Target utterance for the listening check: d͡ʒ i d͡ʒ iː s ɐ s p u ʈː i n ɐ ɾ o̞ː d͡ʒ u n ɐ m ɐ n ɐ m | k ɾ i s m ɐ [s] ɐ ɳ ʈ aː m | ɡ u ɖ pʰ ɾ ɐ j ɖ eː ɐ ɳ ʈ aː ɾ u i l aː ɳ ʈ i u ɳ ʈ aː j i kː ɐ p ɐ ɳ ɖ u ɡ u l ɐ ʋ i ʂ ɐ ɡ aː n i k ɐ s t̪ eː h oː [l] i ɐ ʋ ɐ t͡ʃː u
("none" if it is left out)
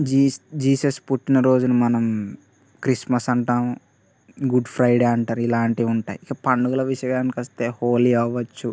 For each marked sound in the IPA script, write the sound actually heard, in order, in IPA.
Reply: s, l

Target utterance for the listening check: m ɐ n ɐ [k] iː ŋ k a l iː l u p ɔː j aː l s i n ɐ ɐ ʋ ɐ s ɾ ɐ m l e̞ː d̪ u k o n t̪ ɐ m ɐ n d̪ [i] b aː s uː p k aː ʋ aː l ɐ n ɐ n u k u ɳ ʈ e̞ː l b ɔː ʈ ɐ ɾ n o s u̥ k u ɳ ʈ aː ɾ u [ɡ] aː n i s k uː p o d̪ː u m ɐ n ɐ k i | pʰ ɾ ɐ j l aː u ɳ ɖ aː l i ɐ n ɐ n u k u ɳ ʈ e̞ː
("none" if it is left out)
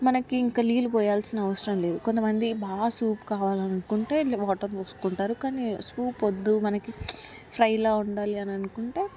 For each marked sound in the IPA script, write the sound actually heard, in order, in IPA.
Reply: k, i, k

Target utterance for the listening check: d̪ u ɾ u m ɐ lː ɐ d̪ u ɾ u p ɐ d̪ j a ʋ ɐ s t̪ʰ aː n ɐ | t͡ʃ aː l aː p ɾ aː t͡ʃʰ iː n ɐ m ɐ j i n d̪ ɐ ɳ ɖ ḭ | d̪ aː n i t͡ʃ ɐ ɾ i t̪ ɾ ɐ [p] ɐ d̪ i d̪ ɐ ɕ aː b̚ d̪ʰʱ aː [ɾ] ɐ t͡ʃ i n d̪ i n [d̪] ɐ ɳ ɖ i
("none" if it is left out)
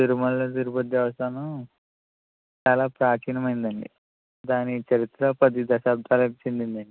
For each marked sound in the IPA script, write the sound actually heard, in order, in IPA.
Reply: p, l, d̪

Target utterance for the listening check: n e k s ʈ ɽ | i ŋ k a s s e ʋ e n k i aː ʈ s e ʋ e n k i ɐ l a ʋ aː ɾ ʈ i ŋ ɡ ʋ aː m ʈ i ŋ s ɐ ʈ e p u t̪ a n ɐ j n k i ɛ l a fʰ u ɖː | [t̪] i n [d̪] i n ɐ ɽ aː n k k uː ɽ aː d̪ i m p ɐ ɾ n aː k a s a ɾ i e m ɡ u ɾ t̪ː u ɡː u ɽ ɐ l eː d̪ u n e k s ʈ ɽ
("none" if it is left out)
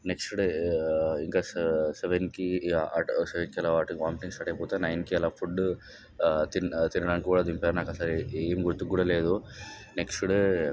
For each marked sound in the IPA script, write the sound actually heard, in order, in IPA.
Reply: t̪, t̪

